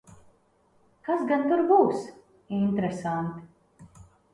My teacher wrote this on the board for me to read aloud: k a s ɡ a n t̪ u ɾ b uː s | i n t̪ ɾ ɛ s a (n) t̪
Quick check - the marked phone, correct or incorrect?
correct